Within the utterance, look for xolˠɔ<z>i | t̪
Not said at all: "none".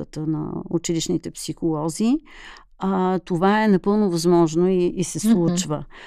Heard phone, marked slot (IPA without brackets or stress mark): z